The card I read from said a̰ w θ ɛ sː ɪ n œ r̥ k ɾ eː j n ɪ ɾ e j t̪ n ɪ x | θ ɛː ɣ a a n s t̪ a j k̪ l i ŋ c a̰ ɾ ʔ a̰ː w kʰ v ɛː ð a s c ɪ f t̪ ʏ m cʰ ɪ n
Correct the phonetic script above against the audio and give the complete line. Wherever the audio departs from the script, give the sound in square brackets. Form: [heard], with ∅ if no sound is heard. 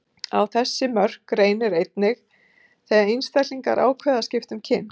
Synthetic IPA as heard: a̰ w θ ɛ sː ɪ [m] œ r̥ k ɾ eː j n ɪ ɾ e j t̪ n ɪ x | θ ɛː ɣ a [i] n s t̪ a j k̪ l i ŋ [k] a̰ ɾ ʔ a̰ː w kʰ v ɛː ð a s c ɪ f t̪ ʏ m cʰ ɪ n

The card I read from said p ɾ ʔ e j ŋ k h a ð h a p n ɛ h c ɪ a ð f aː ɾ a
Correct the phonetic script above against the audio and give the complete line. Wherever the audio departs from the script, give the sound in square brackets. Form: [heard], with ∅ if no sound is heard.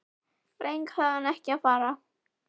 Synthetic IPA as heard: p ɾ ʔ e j ŋ k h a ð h a [∅] n ɛ h c ɪ a ð f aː ɾ a

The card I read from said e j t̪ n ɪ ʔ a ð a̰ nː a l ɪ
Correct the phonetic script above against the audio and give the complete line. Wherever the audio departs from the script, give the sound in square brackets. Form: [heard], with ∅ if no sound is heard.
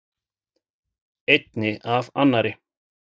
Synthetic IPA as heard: e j t̪ n ɪ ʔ a [v] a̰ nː a [ɾ] ɪ

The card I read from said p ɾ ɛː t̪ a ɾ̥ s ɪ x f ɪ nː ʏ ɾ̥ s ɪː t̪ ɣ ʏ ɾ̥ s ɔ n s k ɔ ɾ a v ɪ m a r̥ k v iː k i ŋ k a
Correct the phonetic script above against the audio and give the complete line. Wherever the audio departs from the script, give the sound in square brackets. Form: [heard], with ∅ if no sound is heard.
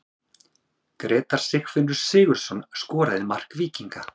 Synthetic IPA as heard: [k] ɾ ɛː t̪ a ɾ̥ s ɪ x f ɪ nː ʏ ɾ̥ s ɪː [∅] ɣ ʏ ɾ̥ s ɔ n s k [ɔː] ɾ a [ð] ɪ m a r̥ k v iː [c] i ŋ k a

